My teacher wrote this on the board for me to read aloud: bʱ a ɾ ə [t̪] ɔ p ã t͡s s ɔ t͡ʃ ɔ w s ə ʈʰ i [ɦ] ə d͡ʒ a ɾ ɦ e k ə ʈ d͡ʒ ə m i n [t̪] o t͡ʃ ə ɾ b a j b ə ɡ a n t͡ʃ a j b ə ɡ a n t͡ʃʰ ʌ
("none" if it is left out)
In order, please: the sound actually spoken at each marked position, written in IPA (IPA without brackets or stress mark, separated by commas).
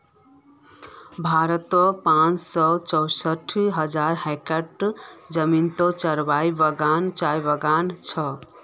t̪, ɦ, t̪